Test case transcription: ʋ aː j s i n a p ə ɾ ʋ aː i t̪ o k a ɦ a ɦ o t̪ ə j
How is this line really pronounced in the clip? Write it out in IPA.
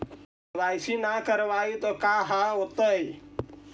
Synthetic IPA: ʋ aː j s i n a k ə ɾ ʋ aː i t̪ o k a ɦ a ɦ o t̪ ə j